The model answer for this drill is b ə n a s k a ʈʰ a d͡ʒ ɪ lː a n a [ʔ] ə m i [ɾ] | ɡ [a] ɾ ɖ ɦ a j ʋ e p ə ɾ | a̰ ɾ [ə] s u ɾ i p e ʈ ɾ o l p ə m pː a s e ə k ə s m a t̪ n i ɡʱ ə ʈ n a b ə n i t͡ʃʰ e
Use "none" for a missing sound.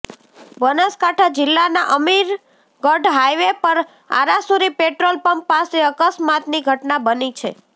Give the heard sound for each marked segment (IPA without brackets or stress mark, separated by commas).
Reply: ʔ, ɾ, ə, a